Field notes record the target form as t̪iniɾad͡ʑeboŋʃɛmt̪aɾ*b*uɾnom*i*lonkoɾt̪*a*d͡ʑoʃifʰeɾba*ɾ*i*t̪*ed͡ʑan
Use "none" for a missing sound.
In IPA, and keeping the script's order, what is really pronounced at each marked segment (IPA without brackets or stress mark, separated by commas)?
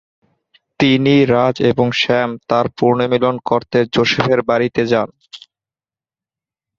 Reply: p, i, e, ɾ, t̪